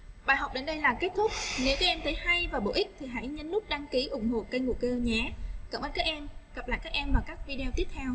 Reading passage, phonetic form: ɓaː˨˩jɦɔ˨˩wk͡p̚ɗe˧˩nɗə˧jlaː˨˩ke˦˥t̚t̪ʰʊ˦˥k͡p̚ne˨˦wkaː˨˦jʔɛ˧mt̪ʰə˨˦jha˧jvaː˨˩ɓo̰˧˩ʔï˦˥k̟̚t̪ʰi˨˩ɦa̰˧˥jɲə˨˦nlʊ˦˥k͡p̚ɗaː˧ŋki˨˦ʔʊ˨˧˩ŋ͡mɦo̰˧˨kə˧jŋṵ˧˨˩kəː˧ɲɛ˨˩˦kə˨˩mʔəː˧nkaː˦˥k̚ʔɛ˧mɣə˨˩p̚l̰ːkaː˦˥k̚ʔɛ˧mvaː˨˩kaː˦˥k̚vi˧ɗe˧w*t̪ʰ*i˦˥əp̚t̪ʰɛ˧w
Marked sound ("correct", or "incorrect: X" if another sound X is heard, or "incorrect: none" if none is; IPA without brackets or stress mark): incorrect: t̪